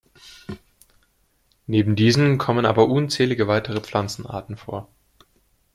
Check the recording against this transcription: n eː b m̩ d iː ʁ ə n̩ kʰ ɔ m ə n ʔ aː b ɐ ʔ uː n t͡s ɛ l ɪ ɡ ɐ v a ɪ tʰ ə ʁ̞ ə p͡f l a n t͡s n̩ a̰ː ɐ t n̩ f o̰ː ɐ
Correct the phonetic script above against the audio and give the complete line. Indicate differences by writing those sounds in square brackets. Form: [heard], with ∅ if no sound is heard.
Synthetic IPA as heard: n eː b m̩ d iː [z] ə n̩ kʰ ɔ m ə n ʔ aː b ɐ ʔ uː n t͡s [ɛː] l ɪ ɡ [ə] v a ɪ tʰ ə ʁ̞ ə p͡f l a n t͡s n̩ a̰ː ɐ t n̩ f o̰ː ɐ